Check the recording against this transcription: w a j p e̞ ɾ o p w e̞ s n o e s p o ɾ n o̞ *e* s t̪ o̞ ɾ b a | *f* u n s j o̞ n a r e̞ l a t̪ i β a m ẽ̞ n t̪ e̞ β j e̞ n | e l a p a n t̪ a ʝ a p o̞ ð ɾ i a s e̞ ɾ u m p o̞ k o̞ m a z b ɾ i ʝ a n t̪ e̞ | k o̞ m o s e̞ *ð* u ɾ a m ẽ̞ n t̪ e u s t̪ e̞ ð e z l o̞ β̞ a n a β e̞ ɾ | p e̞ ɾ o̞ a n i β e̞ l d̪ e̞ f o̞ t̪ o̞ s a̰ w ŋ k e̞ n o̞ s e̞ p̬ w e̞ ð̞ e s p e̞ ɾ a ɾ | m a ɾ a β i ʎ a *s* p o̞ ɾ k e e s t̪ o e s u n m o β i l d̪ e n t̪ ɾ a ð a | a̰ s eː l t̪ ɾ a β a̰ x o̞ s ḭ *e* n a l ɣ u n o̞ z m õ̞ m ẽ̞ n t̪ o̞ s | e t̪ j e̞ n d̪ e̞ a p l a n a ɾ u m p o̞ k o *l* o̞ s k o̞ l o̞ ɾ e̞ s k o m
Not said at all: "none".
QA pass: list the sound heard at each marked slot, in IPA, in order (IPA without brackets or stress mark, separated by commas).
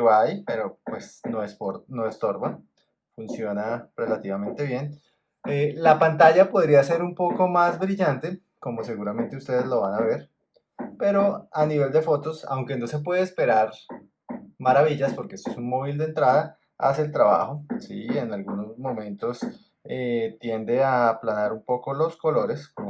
e, f, ɣ, s, e, l